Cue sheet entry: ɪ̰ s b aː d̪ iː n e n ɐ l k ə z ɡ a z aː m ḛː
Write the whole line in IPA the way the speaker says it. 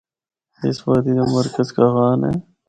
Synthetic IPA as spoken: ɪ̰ s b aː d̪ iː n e m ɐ ɾ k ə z k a ɣ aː n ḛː